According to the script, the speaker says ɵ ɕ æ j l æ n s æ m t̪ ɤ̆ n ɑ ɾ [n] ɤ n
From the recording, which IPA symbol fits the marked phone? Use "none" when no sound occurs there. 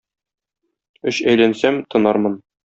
m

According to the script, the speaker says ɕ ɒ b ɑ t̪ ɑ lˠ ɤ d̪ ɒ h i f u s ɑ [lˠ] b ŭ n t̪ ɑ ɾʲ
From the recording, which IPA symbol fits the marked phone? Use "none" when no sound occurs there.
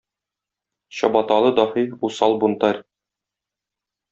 lˠ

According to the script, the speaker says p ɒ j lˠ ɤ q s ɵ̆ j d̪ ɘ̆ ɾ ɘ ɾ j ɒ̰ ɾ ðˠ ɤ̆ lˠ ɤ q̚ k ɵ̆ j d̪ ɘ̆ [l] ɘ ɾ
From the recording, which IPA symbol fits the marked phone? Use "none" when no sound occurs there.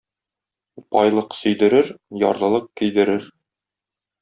ɾ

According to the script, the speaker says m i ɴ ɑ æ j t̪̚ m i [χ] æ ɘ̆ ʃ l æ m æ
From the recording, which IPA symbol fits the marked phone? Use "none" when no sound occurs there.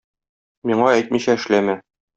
ɕ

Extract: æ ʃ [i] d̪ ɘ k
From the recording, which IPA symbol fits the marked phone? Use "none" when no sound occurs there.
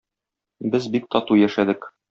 æ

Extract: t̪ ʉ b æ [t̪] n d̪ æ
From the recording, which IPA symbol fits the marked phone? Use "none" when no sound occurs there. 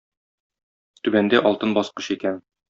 none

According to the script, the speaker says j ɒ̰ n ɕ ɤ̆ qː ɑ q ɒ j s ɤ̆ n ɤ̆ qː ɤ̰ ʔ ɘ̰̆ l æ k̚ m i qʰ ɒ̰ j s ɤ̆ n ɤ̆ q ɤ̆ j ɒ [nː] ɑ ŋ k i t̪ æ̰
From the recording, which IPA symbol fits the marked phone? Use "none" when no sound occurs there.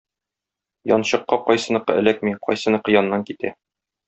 nː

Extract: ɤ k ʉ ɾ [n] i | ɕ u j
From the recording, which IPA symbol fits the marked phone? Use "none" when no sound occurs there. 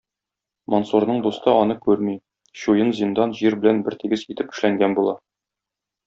m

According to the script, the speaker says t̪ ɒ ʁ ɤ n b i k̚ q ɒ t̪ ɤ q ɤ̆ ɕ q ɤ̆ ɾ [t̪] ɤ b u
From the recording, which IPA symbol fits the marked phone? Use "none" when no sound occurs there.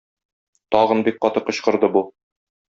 d̪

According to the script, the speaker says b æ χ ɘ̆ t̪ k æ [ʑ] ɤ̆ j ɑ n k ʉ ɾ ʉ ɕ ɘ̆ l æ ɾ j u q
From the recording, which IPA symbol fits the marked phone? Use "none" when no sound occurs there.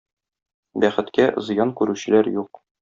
z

